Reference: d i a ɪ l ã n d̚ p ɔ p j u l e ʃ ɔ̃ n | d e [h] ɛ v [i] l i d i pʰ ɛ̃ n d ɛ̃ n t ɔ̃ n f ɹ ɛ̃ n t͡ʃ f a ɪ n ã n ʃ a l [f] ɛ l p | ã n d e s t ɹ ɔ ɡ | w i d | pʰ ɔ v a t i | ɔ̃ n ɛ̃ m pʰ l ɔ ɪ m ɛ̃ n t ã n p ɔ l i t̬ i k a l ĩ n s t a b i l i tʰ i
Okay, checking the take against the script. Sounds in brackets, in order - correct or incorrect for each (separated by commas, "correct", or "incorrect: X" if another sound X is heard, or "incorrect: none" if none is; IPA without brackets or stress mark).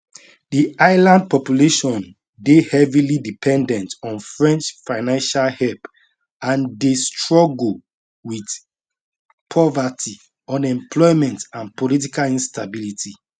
correct, correct, incorrect: h